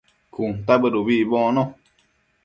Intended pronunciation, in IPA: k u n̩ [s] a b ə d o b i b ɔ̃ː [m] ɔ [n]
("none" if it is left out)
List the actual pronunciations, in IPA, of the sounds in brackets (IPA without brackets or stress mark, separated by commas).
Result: t, n, none